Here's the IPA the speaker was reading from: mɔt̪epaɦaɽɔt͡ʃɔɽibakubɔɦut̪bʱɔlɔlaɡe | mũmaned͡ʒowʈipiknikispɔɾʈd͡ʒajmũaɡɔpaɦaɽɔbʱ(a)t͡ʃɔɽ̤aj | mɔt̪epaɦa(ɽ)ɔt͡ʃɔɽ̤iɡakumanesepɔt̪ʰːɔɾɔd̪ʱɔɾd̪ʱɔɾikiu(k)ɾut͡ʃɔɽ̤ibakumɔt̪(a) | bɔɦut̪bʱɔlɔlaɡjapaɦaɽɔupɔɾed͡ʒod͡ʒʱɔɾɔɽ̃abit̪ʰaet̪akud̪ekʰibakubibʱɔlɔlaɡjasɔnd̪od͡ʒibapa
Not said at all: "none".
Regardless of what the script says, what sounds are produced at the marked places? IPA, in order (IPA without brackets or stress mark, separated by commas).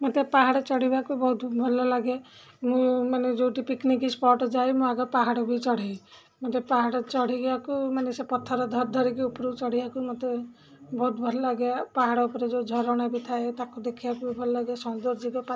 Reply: i, ɽ, p, e